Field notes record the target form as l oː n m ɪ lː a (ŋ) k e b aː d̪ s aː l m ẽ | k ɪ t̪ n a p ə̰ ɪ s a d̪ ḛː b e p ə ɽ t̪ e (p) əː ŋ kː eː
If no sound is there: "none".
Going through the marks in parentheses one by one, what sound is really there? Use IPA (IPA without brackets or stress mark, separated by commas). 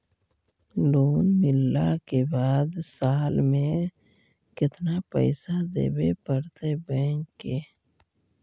none, b